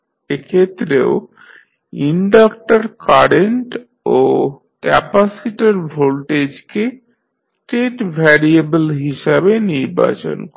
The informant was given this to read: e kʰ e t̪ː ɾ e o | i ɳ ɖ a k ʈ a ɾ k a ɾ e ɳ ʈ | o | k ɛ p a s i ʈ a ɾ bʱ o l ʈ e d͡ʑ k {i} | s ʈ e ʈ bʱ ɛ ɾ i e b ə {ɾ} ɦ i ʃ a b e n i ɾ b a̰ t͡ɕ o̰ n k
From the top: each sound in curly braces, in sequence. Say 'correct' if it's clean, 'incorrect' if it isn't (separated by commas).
incorrect, incorrect